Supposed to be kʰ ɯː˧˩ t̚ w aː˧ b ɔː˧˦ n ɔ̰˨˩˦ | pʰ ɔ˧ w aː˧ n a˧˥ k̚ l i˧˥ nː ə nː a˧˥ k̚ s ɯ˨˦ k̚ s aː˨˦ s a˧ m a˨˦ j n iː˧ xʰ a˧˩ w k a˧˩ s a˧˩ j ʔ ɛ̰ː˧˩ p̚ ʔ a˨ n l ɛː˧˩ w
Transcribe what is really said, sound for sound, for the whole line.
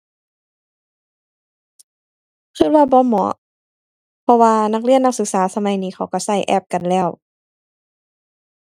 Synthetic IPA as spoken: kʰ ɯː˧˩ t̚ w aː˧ b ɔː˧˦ m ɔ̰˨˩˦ | pʰ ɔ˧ w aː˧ n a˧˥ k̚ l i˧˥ ə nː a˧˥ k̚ s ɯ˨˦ k̚ s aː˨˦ s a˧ m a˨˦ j n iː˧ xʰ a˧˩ w k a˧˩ s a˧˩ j ʔ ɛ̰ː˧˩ p̚ k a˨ n l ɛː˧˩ w